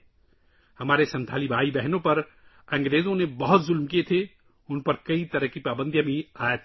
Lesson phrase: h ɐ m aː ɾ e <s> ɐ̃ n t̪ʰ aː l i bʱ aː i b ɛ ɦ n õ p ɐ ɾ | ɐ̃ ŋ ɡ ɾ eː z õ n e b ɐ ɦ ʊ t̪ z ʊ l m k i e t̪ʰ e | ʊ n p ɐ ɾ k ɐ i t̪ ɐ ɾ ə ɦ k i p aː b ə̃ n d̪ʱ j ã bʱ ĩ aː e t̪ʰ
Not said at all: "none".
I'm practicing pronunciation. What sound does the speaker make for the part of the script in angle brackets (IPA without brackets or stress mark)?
s